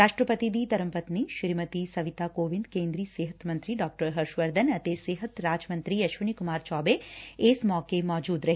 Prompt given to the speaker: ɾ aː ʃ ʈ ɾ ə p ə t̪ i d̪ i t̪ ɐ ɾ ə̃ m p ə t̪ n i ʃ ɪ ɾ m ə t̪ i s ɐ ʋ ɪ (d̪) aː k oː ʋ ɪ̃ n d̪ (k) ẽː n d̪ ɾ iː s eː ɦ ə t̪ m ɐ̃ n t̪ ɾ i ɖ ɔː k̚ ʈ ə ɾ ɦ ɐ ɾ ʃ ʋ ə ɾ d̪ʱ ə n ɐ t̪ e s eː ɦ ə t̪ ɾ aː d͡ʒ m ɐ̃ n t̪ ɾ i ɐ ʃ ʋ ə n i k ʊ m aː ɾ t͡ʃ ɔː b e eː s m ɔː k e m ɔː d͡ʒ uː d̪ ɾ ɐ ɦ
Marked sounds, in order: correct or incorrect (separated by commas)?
incorrect, correct